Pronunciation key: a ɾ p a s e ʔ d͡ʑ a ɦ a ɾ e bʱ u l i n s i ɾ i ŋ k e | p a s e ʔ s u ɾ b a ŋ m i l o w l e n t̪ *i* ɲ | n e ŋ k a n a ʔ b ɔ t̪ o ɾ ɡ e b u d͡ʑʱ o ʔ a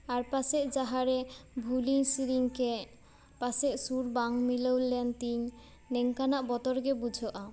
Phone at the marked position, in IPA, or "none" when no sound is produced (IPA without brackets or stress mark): i